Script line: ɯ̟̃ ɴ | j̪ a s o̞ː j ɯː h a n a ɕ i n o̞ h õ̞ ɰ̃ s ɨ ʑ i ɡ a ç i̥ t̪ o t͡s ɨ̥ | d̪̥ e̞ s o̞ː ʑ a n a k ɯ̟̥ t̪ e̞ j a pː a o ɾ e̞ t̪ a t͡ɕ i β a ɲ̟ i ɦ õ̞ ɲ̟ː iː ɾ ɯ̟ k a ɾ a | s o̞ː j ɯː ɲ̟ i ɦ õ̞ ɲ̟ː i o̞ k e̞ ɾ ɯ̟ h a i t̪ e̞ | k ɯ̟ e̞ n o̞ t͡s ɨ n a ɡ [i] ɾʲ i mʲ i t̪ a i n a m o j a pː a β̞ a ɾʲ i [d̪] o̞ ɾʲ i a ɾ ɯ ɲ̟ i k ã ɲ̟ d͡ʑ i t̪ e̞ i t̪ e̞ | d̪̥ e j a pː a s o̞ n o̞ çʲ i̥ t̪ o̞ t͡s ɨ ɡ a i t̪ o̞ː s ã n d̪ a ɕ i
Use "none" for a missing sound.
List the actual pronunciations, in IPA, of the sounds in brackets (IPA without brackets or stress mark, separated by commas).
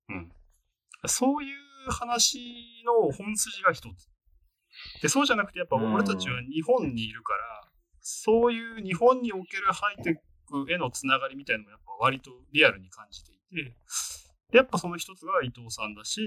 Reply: a, t̪